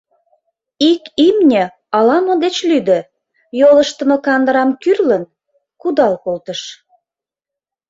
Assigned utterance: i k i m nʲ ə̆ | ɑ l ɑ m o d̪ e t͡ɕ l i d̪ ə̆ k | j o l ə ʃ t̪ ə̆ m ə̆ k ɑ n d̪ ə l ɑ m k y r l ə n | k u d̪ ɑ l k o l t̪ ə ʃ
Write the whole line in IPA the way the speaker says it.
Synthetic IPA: i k i m nʲ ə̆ | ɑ l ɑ m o d̪ e t͡ɕ l y d̪ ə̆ | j o l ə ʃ t̪ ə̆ m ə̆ k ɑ n d̪ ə ɾ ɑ m k y r l ə n | k u d̪ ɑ l k o l t̪ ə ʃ